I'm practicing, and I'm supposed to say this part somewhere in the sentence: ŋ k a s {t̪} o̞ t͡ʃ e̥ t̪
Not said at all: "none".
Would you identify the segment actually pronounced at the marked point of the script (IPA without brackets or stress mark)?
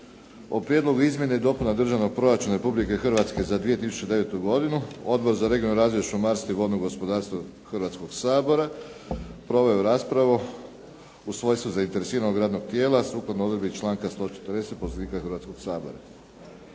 t̪